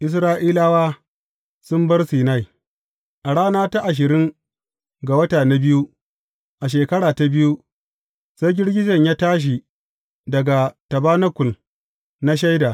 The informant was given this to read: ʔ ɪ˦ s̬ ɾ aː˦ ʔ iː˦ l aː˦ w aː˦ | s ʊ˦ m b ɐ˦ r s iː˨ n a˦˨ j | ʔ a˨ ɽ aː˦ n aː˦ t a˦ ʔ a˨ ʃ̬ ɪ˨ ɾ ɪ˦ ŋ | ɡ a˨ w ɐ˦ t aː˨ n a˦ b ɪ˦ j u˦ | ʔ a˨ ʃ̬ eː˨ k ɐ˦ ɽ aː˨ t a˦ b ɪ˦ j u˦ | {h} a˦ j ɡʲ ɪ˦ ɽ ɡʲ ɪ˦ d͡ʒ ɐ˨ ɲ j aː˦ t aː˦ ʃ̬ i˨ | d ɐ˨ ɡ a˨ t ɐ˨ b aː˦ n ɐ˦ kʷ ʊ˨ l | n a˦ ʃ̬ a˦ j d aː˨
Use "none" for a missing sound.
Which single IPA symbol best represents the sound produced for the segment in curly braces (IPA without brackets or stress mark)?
s